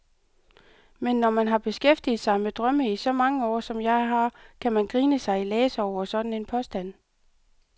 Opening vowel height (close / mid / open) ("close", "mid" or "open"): mid